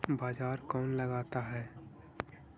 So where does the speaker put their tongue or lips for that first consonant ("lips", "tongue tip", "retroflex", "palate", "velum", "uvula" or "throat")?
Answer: lips